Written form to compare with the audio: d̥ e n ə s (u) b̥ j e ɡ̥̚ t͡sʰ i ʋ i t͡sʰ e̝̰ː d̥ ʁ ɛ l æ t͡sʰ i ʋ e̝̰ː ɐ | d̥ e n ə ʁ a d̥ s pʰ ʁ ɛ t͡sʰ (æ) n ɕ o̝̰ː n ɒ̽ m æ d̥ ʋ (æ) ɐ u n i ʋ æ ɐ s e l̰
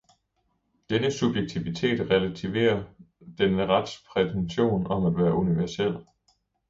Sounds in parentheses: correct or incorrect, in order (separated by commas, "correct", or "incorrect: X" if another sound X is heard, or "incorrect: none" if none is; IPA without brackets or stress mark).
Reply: correct, incorrect: e, incorrect: æː